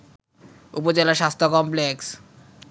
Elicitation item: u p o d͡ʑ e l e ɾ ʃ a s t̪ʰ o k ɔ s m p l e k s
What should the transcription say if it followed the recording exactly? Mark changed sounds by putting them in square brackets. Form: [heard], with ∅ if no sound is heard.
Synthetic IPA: u p o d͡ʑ e l [a] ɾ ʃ a s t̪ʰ o k ɔ [∅] m p l e k s

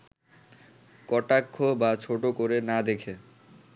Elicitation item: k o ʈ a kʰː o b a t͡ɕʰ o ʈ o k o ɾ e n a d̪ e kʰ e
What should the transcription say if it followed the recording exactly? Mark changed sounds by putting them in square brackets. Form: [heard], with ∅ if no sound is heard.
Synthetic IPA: k [ɔ] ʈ a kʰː o b a t͡ɕʰ o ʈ o k o ɾ e n a d̪ e kʰ e

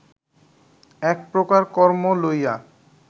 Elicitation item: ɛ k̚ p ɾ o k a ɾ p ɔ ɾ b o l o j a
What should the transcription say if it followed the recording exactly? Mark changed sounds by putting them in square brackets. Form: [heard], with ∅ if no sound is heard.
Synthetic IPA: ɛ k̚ p ɾ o k a ɾ [k] ɔ ɾ [m] o l o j a

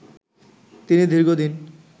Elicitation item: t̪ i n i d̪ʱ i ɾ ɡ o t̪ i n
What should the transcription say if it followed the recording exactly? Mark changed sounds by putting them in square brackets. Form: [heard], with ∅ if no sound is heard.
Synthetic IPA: t̪ i n i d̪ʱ i ɾ ɡ o [d̪] i n

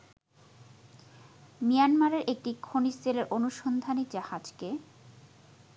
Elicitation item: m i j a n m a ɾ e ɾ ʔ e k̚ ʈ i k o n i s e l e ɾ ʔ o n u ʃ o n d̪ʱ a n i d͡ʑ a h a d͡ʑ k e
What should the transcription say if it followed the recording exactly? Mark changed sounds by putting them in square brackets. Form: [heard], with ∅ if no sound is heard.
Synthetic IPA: m i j a n m a ɾ e ɾ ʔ e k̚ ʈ i [kʰ] o n i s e l e ɾ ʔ o n u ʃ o n d̪ʱ a n i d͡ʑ a h a d͡ʑ k e

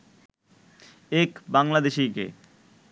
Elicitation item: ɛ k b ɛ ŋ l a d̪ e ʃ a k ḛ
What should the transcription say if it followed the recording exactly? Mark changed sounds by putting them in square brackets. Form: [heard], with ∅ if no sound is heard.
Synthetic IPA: [e] k b [a] ŋ l a d̪ e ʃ [i] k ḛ

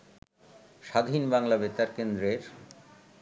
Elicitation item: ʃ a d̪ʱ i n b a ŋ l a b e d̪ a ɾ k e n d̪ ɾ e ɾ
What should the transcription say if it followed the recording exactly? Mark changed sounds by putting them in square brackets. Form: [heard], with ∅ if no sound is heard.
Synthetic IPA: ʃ a d̪ʱ i n b a ŋ l a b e [t̪] a ɾ k e n d̪ ɾ e ɾ

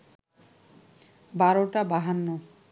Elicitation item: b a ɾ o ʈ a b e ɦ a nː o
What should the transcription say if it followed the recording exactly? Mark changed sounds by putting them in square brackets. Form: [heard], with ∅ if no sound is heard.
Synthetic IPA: b a ɾ o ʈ a b [a] ɦ a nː o

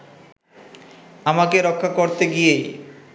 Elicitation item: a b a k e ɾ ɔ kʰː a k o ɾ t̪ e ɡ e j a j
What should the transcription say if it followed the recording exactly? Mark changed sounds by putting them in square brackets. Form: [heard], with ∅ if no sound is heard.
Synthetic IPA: a [m] a k e ɾ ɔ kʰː a k o ɾ t̪ e ɡ [i] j [e] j

